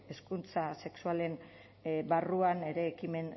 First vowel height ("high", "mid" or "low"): mid